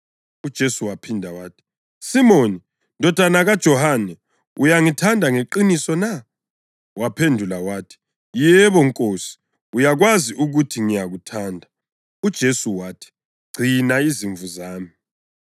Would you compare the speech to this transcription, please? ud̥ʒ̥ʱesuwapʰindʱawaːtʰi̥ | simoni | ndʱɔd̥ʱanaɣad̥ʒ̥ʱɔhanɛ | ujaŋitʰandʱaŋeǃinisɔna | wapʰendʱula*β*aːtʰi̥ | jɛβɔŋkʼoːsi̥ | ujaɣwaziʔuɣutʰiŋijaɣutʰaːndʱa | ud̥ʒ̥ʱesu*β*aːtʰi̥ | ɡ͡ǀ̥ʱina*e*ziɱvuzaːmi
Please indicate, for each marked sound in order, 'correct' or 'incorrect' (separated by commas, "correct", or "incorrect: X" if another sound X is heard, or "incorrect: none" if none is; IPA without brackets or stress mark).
incorrect: w, incorrect: w, incorrect: i